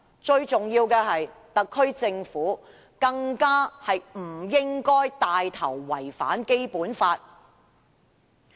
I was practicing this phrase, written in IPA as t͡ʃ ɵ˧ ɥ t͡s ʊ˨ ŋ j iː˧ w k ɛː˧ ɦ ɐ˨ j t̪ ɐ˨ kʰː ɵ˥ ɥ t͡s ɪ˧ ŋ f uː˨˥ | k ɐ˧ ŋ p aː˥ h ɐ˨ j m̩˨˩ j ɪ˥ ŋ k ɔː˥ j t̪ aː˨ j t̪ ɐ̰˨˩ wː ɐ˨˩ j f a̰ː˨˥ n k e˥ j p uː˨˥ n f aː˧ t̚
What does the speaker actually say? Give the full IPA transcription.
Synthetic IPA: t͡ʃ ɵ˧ ɥ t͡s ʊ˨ ŋ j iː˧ w k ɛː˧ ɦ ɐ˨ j t̪ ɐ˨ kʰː ɵ˥ ɥ t͡s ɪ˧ ŋ f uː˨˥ | k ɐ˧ ŋ k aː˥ h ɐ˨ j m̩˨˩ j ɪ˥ ŋ k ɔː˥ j t̪ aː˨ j t̪ʰ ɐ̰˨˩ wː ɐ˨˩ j f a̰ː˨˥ n k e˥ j p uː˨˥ n f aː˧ t̚